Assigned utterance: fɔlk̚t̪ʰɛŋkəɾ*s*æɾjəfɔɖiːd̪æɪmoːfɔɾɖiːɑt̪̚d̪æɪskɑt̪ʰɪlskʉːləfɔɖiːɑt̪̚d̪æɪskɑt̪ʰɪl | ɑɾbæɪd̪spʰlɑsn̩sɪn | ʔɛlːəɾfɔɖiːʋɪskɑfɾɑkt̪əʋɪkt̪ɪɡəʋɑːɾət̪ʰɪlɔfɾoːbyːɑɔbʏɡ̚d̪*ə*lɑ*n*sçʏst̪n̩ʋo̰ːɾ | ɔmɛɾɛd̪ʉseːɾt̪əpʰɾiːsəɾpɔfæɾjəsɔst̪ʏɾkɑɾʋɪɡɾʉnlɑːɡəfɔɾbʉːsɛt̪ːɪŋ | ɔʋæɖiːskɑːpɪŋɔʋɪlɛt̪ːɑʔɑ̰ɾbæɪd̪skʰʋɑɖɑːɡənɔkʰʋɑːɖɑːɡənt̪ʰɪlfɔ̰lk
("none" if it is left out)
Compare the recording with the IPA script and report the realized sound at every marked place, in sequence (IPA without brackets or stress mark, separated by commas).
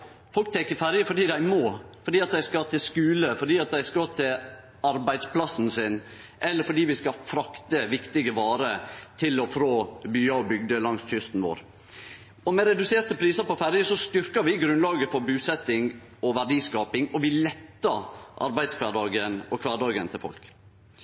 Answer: f, ə, ŋ